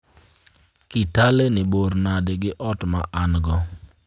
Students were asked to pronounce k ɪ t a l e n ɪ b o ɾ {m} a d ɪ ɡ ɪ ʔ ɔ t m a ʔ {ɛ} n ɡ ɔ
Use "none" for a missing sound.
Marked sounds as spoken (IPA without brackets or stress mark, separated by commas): n, a